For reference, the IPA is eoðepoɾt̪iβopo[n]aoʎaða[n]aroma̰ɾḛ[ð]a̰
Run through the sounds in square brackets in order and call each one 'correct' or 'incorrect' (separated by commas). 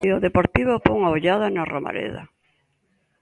incorrect, correct, correct